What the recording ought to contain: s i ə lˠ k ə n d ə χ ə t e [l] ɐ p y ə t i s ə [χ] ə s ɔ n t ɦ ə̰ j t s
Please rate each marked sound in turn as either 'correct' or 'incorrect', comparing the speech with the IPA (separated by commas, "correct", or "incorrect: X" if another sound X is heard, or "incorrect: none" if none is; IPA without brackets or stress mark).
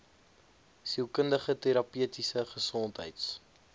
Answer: incorrect: ɾ, correct